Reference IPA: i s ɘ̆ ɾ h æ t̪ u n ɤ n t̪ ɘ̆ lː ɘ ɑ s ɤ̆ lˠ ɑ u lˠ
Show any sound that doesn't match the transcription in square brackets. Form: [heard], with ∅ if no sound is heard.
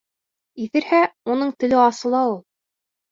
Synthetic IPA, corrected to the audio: i [θ] ɘ̆ ɾ h æ [∅] u n ɤ [ɴ] t̪ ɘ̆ [l] ɘ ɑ s ɤ̆ lˠ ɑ u lˠ